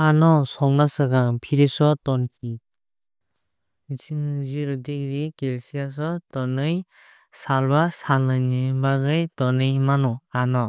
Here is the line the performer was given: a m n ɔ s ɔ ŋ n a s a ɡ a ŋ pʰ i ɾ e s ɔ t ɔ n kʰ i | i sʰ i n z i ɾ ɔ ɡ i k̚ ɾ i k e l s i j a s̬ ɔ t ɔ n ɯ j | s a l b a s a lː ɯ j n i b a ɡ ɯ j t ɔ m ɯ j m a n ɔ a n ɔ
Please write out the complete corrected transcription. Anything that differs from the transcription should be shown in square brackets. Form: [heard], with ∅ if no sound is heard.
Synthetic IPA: a [∅] n ɔ s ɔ ŋ n a s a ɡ a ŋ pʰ i ɾ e s ɔ t ɔ n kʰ i | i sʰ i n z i ɾ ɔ [d] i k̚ ɾ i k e l s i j a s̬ ɔ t ɔ n ɯ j | s a l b a s a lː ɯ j n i b a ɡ ɯ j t ɔ [n] ɯ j m a n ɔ a n ɔ